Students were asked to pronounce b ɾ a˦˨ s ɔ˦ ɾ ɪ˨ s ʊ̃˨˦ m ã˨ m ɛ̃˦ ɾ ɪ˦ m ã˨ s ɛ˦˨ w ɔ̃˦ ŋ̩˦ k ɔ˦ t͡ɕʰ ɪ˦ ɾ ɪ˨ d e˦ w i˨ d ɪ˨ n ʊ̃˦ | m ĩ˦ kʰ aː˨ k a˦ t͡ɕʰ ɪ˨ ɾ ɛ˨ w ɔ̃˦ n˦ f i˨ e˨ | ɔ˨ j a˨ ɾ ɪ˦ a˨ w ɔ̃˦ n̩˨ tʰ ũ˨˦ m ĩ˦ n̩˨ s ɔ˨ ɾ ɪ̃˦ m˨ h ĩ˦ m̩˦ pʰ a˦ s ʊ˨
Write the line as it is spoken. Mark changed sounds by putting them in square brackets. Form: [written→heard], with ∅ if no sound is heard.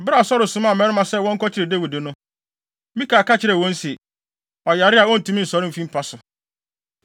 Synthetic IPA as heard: b ɾ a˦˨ s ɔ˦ ɾ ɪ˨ s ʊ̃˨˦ m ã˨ m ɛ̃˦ ɾ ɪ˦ m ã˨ s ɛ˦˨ w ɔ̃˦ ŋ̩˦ k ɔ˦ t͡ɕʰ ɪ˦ ɾ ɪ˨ d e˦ w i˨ d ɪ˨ n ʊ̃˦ | m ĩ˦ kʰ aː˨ k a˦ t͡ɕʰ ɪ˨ ɾ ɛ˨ w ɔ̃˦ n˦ [f→s] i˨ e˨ | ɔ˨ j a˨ ɾ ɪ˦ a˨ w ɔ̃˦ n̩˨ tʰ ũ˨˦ m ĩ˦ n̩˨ s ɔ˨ ɾ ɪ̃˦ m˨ [h→f] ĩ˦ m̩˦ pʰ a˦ s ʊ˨